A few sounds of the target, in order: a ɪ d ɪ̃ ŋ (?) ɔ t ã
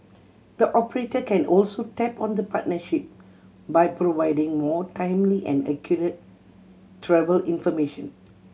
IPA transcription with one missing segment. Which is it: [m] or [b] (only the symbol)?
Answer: m